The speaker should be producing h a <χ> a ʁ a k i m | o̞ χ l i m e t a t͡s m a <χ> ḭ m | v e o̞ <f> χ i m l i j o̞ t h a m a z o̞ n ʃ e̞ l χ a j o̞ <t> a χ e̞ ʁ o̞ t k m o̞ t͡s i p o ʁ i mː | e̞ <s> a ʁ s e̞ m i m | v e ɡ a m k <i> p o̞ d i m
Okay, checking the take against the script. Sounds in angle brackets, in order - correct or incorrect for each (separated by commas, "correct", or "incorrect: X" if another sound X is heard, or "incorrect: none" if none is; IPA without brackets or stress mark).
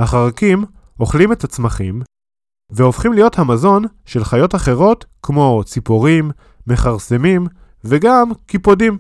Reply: correct, correct, correct, correct, incorrect: χ, correct